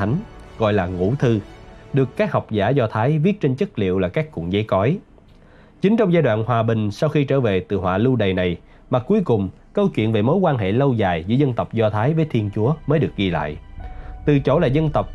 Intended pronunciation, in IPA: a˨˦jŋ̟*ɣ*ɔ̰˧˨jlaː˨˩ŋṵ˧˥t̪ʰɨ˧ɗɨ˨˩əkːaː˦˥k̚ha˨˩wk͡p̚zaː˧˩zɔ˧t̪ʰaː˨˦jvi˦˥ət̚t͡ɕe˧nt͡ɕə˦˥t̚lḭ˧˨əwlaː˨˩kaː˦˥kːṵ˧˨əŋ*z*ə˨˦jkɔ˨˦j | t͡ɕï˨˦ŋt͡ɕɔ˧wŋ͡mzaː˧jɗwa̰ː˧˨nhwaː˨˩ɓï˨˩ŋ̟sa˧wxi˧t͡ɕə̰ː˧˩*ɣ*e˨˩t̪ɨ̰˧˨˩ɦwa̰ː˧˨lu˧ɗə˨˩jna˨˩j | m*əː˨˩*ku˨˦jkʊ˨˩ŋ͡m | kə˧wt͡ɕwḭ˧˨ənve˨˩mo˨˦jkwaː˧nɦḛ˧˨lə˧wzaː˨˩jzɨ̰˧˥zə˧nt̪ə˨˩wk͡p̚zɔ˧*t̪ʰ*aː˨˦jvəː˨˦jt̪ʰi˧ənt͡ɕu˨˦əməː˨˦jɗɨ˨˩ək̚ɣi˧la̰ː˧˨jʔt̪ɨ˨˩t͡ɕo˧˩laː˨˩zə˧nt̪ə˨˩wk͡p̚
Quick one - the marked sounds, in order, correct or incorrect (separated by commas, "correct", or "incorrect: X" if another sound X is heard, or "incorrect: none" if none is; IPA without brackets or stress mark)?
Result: correct, correct, incorrect: v, incorrect: aː˨˩, correct